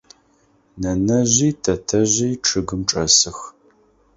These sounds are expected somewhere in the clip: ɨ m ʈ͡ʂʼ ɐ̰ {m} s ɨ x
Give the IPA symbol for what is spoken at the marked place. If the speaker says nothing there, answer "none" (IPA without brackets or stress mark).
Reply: none